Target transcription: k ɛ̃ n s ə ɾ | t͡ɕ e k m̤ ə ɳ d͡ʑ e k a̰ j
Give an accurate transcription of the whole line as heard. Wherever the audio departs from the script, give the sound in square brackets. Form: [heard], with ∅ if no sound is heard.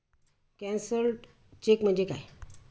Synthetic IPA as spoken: k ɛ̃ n s ə ɾ | t͡ɕ e k m̤ ə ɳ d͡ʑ e k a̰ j